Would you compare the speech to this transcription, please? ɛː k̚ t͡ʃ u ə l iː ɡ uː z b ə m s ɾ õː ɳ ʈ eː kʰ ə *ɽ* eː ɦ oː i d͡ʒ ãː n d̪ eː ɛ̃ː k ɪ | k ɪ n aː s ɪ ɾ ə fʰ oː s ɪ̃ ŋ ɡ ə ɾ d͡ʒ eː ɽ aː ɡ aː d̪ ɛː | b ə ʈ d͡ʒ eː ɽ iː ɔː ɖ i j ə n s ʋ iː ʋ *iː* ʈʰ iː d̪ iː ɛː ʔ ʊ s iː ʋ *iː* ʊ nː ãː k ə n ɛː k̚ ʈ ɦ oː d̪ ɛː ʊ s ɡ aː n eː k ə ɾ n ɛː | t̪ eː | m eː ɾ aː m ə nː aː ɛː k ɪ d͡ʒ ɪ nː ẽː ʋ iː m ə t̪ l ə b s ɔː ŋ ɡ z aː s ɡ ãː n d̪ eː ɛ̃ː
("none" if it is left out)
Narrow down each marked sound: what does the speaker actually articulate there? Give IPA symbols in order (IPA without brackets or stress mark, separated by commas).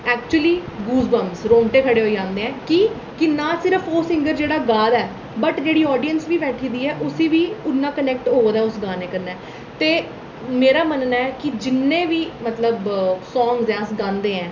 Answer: ɽ, ɛː, iː